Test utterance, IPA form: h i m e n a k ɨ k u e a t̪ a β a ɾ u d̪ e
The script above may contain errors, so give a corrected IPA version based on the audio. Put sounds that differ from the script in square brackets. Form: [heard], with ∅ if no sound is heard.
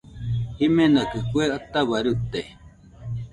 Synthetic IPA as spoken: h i m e n a k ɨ k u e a t̪ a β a ɾ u [t̪] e